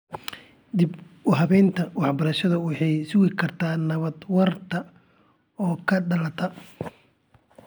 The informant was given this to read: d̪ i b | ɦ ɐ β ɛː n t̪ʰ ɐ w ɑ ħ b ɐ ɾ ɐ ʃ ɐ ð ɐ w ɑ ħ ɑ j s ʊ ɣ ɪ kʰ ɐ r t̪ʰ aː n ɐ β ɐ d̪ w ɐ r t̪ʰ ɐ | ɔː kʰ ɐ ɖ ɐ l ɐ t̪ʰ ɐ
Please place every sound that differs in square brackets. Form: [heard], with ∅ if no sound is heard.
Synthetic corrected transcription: d̪ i b | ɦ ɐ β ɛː n t̪ʰ ɐ w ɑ ħ b ɐ ɾ ɐ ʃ ɐ ð ɐ w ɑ ħ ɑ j s ʊ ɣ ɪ kʰ ɐ r t̪ʰ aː n ɐ β ɐ d̪ w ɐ r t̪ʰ ɐ | ɔː kʰ ɐ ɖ ɐ l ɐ t̪ʰ ɐ